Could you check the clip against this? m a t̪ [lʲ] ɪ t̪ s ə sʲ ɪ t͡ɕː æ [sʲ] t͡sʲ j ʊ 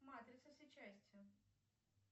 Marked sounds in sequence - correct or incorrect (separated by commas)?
incorrect, correct